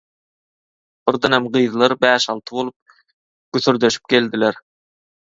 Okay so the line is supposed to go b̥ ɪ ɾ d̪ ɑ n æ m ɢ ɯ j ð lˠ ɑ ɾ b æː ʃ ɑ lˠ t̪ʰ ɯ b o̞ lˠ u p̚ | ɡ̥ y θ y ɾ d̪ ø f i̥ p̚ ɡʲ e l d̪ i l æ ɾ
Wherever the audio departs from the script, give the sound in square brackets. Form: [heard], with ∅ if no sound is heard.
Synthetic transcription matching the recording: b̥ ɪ ɾ d̪ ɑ n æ m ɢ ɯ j ð lˠ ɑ ɾ b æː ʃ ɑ lˠ t̪ʰ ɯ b o̞ lˠ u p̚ | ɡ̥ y θ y ɾ d̪ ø [ʃ] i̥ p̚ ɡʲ e l d̪ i l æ ɾ